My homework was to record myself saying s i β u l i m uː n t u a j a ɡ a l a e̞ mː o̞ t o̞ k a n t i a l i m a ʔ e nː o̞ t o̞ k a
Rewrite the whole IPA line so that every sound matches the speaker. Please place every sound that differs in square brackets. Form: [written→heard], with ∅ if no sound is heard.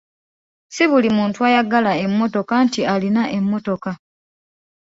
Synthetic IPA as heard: s i β u l i m uː n t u a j a ɡ a l a e̞ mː o̞ t o̞ k a n t i a l i [m→n] a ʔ e [nː→mː] o̞ t o̞ k a